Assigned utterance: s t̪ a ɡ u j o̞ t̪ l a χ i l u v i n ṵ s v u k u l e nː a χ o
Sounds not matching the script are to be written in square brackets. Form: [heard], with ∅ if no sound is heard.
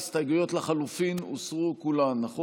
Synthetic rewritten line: s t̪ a ɡ u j o̞ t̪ l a χ [a] l u [f] i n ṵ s [ʁ] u k u l [a] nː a χ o